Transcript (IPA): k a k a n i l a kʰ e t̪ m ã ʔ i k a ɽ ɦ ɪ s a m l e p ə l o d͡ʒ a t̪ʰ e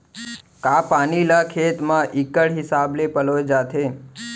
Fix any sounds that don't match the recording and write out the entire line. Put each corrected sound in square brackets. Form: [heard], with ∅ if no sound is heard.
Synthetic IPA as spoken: k a [p] a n i l a kʰ e t̪ m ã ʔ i k [ə] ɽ ɦ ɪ s a [b] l e p ə l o d͡ʒ a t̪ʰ e